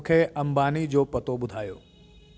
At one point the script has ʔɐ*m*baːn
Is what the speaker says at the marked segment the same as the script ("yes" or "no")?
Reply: yes